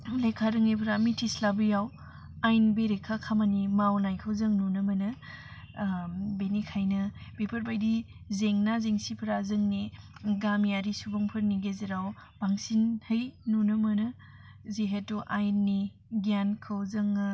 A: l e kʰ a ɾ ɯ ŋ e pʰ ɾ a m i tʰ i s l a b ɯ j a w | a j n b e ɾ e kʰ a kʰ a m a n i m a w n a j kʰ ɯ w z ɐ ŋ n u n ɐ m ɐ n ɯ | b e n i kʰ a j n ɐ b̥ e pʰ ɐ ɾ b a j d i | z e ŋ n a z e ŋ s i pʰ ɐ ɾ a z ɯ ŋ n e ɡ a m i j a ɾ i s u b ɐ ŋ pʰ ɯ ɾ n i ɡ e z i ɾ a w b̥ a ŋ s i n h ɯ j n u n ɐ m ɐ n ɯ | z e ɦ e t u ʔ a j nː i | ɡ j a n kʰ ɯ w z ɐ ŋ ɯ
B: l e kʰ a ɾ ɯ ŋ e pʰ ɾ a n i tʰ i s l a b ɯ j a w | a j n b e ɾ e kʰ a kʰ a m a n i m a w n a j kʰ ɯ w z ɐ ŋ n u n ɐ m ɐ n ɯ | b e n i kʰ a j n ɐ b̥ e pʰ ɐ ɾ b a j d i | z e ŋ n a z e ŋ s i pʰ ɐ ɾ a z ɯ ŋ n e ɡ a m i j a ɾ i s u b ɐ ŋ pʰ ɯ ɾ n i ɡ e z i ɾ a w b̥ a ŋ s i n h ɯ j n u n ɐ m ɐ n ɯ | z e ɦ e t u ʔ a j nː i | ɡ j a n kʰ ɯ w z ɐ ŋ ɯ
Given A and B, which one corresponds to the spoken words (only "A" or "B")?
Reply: A